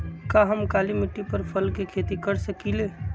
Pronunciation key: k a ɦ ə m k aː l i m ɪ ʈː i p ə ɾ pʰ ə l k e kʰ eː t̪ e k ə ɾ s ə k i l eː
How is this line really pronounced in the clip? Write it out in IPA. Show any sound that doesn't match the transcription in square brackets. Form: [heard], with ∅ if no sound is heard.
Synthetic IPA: k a ɦ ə m k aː l i m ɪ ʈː i p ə ɾ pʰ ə l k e kʰ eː t̪ [i] k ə ɾ s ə k i l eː

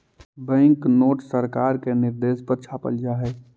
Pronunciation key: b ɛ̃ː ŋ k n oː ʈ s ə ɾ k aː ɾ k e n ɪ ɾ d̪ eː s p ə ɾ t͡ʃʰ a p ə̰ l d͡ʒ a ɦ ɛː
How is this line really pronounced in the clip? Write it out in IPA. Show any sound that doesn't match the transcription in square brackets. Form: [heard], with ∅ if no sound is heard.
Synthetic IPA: b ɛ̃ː ŋ k n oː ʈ s ə ɾ k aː ɾ k e n ɪ ɾ d̪ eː s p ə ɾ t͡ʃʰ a p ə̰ l d͡ʒ a ɦ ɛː

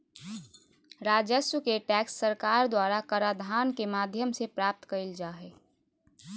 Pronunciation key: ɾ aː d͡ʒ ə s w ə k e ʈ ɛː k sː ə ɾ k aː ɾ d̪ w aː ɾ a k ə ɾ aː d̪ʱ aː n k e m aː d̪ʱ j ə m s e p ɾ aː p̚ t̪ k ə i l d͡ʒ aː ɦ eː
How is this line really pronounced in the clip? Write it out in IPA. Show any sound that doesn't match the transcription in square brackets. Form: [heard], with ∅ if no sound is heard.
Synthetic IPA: ɾ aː d͡ʒ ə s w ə k e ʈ ɛː k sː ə ɾ k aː ɾ d̪ w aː ɾ a k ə ɾ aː d̪ʱ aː n k e m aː d̪ʱ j ə m s e p ɾ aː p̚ t̪ k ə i l d͡ʒ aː ɦ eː

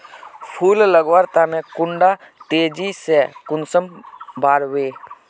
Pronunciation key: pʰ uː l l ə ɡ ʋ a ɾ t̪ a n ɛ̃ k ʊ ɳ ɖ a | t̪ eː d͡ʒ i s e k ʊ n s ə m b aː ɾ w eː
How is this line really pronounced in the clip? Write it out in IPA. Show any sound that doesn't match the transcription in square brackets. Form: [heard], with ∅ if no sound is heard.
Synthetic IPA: pʰ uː l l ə ɡ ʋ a ɾ t̪ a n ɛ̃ k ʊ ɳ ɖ a | t̪ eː d͡ʒ i s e k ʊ n s ə m b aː ɾ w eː

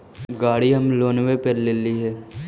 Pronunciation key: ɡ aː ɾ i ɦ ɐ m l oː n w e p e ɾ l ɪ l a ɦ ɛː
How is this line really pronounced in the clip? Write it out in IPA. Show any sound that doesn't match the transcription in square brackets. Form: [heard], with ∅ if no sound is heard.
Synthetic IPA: ɡ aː [ɽ] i ɦ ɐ m l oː n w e p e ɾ l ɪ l [i] ɦ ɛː

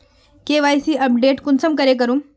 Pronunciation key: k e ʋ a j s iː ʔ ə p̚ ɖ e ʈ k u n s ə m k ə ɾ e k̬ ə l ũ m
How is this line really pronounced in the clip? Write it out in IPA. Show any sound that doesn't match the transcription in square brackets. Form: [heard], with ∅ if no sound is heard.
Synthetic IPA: k e ʋ a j s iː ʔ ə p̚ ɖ e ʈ k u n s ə m k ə ɾ e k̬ ə [ɾ] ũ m

